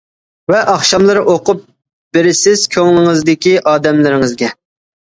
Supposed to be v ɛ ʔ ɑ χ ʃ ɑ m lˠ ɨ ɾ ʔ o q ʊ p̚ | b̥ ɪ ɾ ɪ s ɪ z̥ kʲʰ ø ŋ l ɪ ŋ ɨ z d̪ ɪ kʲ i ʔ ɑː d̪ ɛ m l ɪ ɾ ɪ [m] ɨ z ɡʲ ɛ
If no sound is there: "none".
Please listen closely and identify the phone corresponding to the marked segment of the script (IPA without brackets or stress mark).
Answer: ŋ